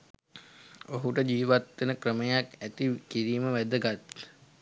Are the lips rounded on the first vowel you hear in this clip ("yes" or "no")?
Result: yes